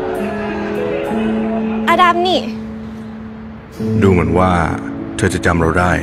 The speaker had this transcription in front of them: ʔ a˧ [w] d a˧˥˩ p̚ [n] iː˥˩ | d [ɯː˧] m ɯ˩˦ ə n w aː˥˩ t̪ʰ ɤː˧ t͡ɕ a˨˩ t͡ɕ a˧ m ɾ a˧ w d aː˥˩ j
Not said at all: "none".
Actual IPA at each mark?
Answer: none, n, uː˧

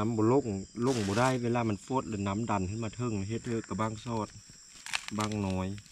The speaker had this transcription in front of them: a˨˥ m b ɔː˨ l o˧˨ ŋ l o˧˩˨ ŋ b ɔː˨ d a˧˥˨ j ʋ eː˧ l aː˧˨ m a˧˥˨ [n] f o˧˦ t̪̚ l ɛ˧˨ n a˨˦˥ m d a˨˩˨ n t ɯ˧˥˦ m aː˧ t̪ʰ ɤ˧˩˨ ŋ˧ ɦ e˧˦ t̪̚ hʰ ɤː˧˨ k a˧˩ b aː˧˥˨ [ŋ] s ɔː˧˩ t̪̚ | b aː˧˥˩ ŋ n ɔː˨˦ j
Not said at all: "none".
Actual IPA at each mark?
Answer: n, ŋ

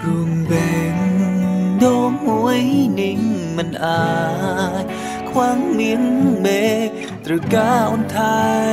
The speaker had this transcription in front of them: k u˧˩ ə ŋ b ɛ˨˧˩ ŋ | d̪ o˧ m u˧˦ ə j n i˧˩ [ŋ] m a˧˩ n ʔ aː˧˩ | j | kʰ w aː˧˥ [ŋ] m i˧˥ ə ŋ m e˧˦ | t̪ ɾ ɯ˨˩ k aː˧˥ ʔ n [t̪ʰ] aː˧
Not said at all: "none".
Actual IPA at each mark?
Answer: ŋ, ŋ, t̪ʰ

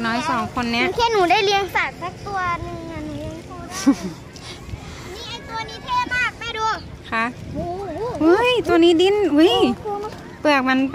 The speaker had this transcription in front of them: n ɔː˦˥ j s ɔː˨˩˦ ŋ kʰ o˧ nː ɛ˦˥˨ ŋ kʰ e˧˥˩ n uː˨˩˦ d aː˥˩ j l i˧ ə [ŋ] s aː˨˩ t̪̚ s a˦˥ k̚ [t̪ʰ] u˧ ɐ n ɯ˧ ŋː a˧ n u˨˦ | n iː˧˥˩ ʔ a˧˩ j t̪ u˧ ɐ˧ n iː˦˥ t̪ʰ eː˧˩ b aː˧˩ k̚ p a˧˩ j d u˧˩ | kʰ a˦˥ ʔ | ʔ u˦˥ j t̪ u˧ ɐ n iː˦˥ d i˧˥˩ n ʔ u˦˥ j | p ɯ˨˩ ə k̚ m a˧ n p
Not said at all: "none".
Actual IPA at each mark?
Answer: ŋ, t̪

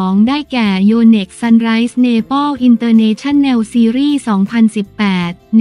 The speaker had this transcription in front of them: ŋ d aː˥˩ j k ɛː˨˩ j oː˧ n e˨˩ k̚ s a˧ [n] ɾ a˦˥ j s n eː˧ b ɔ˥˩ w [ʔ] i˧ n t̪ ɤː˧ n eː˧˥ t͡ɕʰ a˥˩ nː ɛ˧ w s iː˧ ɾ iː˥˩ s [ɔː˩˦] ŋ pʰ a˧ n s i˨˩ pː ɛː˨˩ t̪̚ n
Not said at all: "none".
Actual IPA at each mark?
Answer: n, ʔ, ɔː˩˦

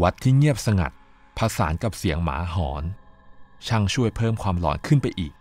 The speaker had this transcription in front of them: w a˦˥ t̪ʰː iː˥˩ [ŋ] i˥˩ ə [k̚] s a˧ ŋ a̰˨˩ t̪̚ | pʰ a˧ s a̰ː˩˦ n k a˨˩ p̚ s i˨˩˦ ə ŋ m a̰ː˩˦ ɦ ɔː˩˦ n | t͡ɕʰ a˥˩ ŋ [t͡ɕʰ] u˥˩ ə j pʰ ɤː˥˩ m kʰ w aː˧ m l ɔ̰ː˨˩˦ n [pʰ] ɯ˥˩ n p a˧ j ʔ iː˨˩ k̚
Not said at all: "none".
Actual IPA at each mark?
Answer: ŋ, p̚, t͡ɕʰ, kʰ

